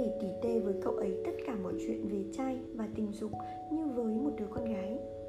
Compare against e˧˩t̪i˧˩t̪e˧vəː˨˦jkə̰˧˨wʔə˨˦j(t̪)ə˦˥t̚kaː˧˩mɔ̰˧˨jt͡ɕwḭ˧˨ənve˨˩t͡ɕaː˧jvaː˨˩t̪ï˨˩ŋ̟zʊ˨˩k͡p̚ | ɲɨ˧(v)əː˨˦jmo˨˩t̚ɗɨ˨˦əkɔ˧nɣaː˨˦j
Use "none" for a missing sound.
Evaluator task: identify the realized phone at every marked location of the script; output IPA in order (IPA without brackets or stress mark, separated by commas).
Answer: t̪, v